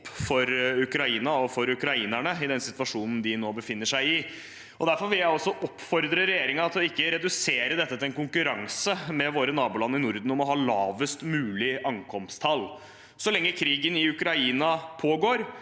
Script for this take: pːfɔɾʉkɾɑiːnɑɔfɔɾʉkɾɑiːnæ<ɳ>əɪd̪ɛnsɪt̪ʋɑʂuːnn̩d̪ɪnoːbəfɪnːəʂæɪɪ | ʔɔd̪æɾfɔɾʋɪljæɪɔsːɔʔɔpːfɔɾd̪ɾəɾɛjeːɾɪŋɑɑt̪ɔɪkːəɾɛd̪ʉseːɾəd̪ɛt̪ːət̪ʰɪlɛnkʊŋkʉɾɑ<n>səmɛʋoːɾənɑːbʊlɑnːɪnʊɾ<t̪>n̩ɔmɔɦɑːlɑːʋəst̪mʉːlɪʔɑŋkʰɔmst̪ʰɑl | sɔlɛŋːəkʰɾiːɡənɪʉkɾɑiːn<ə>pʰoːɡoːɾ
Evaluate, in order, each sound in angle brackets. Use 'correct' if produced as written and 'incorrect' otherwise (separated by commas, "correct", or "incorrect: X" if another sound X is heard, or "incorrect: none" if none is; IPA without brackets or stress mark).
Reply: correct, incorrect: ŋ, incorrect: d̪, incorrect: ɑ